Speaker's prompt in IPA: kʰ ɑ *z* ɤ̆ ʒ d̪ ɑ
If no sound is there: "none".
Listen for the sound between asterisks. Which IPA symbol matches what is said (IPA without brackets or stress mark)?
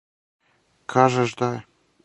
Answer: ʒ